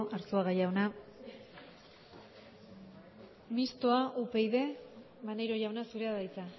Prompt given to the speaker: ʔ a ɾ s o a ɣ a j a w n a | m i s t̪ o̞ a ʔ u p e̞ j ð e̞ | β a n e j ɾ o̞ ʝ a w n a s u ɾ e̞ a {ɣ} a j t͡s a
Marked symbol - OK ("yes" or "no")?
no